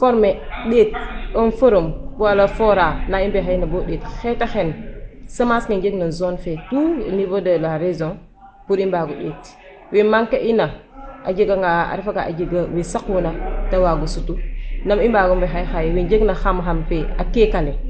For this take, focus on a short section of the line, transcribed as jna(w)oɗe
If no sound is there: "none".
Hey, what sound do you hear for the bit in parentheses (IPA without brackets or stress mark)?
b